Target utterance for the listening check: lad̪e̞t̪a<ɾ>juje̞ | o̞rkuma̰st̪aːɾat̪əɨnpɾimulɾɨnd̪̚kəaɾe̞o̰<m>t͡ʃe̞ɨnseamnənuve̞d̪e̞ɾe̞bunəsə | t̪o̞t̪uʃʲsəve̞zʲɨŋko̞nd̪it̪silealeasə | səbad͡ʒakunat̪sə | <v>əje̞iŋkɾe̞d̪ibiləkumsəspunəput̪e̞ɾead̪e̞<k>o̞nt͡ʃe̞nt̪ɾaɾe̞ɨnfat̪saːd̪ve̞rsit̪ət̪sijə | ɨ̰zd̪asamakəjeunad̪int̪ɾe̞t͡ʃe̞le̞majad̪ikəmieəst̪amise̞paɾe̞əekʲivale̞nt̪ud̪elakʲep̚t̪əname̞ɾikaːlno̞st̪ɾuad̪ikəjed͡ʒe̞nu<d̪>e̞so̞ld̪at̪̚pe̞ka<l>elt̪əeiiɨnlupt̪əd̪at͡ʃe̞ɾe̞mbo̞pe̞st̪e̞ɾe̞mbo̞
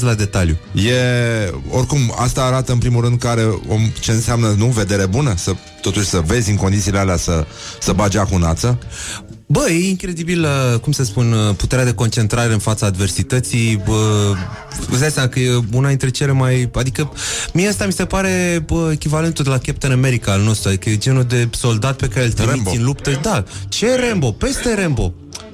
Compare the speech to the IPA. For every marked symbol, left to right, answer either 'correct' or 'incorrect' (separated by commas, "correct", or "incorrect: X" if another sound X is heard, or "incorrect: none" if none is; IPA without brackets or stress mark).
incorrect: l, correct, incorrect: b, correct, correct, incorrect: ɾ